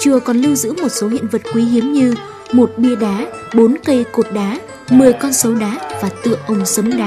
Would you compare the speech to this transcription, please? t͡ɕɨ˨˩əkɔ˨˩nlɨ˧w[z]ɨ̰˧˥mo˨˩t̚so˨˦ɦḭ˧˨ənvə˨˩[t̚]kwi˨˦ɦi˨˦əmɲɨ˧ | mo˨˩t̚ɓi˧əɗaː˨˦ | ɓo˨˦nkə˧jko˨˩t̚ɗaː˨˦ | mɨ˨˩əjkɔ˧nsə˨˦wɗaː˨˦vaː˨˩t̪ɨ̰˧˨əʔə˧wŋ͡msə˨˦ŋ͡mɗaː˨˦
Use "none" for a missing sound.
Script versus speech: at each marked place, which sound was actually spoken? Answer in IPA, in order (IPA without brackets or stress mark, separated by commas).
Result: z, t̚